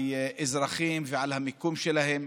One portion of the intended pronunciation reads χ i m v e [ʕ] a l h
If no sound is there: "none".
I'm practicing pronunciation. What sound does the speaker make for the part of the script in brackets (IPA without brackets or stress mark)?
ʕ